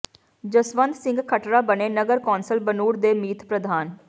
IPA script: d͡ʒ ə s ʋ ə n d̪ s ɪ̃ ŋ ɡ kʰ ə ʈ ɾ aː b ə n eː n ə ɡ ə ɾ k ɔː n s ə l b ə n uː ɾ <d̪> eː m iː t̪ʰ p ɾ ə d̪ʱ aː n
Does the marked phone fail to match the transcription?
no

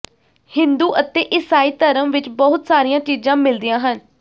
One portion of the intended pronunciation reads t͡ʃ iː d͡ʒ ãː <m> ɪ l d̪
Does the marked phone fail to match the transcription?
no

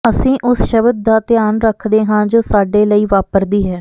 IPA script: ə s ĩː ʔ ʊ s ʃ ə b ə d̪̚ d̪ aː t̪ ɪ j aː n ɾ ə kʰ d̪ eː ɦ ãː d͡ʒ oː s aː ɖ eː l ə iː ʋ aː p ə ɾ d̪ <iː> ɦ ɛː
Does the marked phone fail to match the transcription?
no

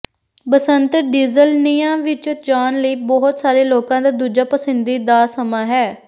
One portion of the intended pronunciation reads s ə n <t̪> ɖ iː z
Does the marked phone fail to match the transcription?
no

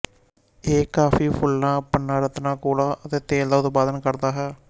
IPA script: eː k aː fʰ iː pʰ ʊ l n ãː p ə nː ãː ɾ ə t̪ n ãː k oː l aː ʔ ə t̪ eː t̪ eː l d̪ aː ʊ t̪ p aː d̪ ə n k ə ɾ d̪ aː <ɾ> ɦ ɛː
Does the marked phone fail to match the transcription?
yes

